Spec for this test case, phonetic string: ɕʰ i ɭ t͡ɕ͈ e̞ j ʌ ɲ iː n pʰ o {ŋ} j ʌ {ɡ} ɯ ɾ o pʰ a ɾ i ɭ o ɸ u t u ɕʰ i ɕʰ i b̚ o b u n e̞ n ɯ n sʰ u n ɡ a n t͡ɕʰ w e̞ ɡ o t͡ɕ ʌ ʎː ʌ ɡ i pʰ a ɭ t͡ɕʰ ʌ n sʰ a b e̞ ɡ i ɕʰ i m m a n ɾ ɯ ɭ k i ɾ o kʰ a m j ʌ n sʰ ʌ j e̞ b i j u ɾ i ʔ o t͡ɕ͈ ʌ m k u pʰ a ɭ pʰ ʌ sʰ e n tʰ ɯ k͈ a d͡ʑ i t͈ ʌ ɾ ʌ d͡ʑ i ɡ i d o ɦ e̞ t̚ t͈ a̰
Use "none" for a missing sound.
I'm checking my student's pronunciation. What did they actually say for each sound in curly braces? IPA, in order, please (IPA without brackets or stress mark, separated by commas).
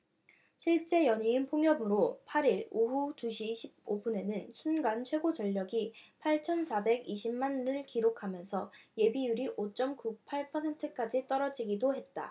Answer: ŋ, b